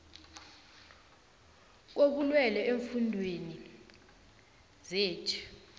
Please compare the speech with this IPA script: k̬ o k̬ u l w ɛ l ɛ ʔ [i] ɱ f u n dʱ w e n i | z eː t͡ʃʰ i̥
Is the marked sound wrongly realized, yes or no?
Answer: yes